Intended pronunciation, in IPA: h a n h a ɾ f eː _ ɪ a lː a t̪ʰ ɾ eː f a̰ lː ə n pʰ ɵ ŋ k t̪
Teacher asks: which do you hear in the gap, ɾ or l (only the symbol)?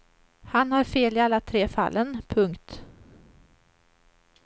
l